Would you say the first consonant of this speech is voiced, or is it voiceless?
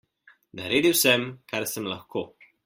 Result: voiced